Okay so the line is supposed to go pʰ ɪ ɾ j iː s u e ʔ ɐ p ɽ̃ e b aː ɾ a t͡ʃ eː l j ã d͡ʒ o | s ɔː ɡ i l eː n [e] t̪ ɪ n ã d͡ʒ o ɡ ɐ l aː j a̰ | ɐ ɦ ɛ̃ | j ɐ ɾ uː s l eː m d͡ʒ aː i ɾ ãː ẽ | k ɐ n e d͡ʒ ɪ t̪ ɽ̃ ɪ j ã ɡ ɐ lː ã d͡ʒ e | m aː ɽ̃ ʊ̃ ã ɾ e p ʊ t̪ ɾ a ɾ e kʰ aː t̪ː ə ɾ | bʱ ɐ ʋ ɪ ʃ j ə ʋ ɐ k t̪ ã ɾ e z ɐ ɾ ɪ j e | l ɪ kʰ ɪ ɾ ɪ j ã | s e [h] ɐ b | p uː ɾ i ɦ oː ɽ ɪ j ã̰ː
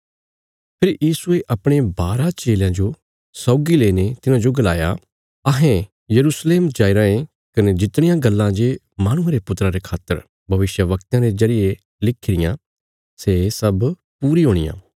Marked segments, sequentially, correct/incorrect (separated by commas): correct, incorrect